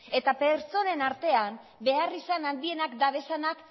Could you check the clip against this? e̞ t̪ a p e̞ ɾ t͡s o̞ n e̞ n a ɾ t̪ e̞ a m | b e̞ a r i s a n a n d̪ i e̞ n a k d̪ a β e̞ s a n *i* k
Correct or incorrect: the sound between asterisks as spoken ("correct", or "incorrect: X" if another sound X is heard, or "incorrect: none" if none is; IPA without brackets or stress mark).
incorrect: a